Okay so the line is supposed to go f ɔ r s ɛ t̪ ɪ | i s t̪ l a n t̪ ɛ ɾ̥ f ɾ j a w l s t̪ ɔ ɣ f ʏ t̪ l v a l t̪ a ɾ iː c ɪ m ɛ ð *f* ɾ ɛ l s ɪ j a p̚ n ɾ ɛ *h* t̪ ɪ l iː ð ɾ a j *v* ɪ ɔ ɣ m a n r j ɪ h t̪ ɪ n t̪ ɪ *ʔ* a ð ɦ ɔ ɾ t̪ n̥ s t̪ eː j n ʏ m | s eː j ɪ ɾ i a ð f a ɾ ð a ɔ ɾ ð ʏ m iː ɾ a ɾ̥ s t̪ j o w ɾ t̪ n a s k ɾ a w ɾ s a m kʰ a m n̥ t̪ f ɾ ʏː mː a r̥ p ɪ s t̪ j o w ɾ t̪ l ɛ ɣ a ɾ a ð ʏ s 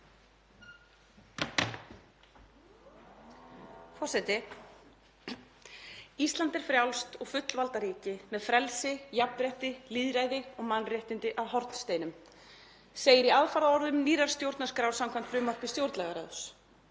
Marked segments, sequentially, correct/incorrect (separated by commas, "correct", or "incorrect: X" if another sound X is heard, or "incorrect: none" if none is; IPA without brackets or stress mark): correct, correct, incorrect: ð, correct